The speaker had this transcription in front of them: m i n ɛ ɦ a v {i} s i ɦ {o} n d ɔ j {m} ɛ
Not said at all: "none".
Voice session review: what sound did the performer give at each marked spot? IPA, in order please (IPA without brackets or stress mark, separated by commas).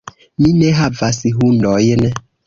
a, u, n